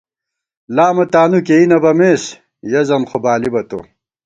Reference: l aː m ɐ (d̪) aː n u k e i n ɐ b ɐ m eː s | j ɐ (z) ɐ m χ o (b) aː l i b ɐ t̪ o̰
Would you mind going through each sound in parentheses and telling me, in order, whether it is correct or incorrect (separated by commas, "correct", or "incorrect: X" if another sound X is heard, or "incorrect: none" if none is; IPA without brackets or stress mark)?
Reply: incorrect: t̪, correct, correct